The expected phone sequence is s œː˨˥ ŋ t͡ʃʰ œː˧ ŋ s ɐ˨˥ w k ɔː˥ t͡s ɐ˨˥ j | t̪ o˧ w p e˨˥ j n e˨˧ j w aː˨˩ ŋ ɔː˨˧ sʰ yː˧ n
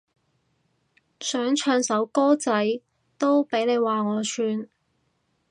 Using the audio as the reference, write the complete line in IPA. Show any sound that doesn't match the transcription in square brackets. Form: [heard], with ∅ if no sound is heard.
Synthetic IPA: s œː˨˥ ŋ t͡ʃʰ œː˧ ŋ s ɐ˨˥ w k ɔː˥ t͡s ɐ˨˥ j | t̪ [o˥] w p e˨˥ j n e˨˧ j w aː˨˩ ŋ ɔː˨˧ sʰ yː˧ n